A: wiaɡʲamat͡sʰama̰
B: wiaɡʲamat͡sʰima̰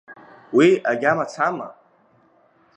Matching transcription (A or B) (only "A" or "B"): A